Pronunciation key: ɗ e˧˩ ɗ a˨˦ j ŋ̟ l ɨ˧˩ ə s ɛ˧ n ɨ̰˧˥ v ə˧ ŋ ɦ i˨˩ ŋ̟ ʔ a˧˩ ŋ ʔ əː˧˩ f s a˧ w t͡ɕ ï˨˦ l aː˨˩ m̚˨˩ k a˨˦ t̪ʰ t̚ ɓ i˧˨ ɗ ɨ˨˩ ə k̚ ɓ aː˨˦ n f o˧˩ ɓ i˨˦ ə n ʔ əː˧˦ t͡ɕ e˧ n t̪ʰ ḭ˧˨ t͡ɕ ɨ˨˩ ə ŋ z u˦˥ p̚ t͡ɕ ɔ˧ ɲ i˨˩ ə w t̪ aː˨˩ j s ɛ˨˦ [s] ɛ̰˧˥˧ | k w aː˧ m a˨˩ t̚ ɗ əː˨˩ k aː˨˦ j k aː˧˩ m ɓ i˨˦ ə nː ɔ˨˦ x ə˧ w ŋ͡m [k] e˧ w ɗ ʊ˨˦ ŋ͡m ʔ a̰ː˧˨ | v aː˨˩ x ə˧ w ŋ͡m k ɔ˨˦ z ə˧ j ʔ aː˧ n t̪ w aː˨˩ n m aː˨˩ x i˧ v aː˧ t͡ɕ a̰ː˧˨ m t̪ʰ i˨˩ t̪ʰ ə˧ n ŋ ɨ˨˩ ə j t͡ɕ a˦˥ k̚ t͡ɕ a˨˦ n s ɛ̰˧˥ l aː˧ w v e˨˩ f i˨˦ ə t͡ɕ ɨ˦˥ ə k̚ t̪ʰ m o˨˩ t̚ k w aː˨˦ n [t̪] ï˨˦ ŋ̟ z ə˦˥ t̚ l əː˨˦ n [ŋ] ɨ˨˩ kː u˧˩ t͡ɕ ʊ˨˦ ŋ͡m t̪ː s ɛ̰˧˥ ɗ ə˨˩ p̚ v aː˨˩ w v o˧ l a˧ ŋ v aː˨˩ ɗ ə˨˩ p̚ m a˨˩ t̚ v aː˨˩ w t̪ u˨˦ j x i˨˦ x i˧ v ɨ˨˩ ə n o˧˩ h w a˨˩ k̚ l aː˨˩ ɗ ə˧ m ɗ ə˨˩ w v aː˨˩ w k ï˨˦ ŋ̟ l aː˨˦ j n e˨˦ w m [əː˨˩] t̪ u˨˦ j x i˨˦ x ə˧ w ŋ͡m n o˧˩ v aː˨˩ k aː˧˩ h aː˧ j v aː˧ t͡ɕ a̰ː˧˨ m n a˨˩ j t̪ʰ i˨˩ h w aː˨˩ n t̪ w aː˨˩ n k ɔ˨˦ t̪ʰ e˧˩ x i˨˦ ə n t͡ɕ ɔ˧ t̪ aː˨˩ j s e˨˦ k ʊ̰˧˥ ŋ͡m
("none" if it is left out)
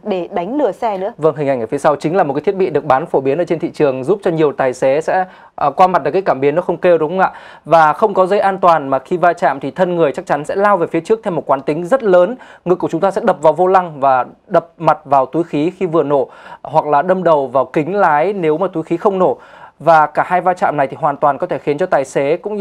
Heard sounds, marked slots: s, k, t̪, ŋ, aː˨˩

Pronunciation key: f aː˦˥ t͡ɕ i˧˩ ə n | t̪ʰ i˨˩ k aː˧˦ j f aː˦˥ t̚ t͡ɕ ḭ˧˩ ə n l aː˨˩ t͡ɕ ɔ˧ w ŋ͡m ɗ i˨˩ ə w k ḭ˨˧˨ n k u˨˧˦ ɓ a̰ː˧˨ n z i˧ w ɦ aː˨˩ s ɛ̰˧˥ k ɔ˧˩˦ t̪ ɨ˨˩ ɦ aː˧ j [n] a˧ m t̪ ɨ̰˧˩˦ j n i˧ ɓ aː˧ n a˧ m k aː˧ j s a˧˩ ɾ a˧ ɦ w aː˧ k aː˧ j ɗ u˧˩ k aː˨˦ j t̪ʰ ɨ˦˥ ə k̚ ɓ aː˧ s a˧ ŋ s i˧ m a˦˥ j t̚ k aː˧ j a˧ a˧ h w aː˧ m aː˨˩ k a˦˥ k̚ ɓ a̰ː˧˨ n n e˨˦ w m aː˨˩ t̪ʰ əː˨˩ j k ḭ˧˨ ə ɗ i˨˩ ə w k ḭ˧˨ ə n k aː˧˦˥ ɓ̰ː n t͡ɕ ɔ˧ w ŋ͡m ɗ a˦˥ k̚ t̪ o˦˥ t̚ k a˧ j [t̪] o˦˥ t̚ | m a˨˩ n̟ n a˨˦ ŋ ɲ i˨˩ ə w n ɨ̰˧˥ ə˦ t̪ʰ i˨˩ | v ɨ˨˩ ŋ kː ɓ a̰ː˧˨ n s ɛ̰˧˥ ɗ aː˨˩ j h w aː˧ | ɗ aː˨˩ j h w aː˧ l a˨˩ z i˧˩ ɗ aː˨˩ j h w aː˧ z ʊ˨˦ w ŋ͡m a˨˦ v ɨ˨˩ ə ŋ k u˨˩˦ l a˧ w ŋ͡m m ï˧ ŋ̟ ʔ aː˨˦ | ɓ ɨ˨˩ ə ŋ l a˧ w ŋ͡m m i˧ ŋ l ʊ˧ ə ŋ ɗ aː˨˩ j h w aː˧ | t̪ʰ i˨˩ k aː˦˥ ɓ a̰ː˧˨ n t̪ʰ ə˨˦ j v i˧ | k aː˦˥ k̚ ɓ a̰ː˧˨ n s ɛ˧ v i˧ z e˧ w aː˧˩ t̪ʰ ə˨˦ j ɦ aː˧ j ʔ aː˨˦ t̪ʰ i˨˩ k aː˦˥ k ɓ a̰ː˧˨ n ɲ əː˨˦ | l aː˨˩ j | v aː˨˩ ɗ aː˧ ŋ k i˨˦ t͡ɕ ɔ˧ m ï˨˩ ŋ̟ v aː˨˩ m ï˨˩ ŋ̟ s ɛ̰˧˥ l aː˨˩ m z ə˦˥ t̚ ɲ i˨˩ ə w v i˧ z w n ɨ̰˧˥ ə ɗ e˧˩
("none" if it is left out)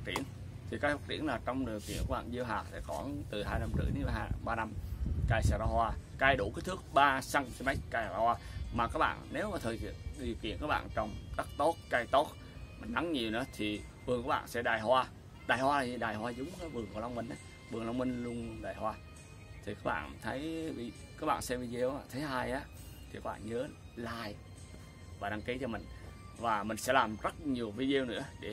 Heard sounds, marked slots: n, t̪

